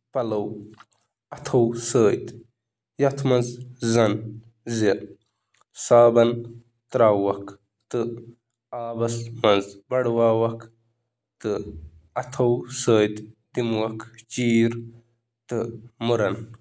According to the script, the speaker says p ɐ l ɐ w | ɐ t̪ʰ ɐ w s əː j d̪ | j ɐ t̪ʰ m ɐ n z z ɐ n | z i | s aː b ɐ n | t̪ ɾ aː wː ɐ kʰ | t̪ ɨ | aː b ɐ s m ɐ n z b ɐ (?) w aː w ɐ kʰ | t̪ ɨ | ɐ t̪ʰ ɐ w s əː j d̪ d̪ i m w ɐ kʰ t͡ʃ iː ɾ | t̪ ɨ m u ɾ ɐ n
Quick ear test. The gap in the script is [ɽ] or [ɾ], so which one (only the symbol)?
ɽ